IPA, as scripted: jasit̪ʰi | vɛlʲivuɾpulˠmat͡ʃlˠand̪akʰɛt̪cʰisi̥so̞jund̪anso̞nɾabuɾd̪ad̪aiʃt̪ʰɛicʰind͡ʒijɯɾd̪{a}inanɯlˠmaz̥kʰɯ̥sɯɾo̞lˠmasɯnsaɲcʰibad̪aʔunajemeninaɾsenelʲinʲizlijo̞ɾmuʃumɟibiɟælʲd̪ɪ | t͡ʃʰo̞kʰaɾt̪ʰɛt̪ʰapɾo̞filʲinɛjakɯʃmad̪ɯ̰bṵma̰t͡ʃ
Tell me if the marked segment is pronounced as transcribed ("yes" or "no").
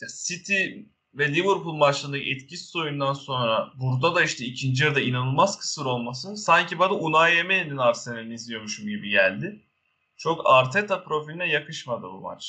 yes